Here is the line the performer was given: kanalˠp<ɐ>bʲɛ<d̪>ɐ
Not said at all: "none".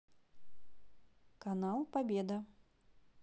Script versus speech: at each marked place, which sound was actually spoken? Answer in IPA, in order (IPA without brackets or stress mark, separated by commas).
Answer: a, d̪